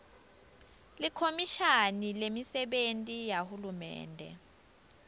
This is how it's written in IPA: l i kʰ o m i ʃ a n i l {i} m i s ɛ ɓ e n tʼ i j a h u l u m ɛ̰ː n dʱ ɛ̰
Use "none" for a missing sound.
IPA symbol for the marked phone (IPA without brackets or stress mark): e